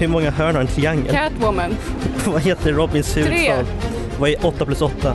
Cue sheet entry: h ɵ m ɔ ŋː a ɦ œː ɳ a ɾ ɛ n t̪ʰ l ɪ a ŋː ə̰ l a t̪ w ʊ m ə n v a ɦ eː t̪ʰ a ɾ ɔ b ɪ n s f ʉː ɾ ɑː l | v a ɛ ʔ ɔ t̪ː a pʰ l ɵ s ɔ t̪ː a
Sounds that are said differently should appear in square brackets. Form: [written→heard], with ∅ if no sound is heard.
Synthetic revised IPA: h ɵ m ɔ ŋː a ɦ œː ɳ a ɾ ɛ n t̪ʰ [l→ɾ] ɪ a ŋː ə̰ l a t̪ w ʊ m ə n v a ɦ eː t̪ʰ [a→ə] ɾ ɔ b ɪ n s [f→h] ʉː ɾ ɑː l | v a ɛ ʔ ɔ t̪ː a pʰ l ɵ s ɔ t̪ː a